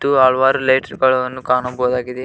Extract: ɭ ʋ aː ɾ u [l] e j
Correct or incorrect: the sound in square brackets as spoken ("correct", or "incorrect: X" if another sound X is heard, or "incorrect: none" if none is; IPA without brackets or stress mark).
correct